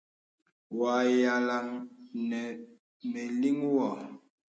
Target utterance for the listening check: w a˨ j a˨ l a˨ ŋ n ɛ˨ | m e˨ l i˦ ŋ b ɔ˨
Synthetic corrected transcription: w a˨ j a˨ l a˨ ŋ n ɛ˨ | m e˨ l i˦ ŋ w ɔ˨